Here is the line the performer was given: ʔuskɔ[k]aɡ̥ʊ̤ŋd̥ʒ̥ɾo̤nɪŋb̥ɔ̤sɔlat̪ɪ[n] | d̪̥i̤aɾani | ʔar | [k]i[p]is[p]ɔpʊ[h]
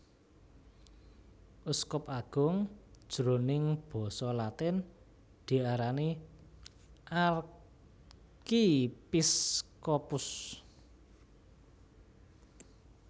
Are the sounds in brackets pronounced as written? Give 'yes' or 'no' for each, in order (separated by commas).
no, yes, yes, yes, no, no